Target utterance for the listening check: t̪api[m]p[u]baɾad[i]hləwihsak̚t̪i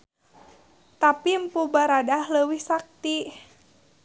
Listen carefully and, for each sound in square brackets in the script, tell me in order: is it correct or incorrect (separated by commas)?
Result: correct, correct, incorrect